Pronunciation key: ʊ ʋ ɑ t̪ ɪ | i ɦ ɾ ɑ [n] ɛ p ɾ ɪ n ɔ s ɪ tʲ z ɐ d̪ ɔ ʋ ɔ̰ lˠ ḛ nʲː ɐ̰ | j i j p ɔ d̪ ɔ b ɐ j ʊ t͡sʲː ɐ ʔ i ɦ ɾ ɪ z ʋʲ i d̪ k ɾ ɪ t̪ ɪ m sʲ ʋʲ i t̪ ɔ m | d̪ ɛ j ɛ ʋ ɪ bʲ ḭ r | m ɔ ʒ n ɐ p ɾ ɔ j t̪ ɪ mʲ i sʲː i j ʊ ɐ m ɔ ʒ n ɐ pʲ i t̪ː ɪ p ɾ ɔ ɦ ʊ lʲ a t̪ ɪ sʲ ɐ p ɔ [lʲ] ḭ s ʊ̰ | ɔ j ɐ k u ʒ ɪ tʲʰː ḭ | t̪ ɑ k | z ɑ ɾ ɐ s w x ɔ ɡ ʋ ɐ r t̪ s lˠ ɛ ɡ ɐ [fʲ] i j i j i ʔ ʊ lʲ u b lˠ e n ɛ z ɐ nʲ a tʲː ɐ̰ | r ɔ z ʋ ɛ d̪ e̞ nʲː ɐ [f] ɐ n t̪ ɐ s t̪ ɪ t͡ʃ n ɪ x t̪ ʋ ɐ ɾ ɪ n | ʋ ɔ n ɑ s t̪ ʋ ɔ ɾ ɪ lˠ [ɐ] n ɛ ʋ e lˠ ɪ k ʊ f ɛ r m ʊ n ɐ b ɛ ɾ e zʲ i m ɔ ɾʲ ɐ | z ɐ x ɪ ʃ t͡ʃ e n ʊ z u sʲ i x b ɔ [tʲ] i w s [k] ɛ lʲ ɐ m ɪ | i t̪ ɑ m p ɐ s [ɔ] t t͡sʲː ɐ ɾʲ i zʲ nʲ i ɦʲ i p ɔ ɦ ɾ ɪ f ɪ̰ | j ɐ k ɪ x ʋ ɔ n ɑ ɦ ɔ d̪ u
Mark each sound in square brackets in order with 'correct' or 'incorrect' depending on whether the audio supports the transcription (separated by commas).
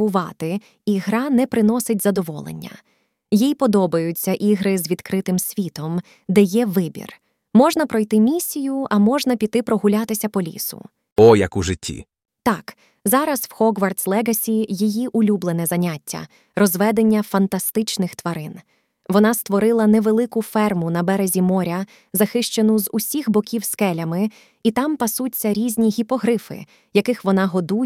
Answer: correct, correct, incorrect, correct, correct, incorrect, correct, incorrect